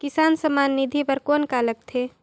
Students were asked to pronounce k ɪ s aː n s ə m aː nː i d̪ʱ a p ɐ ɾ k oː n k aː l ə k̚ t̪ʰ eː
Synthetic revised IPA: k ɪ s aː n s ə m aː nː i d̪ʱ i p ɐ ɾ k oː n k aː l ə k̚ t̪ʰ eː